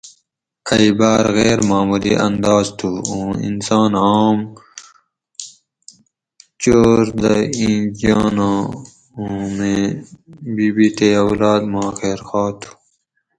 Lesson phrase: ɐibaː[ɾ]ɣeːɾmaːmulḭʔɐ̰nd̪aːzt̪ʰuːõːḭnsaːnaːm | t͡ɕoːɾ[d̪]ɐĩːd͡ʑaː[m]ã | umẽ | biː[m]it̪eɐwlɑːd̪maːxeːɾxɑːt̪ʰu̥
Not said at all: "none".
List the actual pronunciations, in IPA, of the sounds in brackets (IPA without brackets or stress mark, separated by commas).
ɾ, d̪, n, b